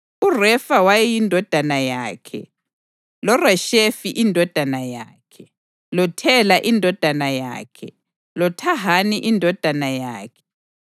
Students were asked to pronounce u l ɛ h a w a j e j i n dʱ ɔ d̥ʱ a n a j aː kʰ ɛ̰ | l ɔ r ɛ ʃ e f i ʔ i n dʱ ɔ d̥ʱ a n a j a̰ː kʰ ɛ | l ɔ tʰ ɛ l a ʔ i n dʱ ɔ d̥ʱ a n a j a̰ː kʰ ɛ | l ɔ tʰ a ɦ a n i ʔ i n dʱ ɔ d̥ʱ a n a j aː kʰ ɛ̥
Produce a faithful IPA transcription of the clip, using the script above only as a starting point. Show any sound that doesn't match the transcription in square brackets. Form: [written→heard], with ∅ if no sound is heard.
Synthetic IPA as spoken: u [l→r] ɛ [h→f] a w a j [e→ɛ] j i n dʱ ɔ d̥ʱ a n a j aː kʰ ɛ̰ | l ɔ r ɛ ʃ e f i ʔ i n dʱ ɔ d̥ʱ a n a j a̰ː kʰ ɛ | l ɔ tʰ ɛ l a ʔ i n dʱ ɔ d̥ʱ a n a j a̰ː kʰ ɛ | l ɔ tʰ a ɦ a n i ʔ i n dʱ ɔ d̥ʱ a n a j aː kʰ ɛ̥